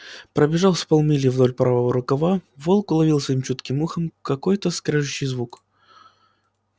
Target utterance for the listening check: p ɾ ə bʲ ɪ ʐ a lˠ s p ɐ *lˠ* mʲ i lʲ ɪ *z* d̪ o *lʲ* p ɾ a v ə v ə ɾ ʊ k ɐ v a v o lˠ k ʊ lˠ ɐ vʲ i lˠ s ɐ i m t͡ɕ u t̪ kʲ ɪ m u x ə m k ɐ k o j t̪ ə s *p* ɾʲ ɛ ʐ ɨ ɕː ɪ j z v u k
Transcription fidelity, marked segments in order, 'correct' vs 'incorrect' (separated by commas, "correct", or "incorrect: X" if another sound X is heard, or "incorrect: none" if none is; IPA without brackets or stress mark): correct, incorrect: v, correct, incorrect: k